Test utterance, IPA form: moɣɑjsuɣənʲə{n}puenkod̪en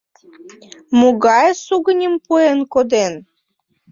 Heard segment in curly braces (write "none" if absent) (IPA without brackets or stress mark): m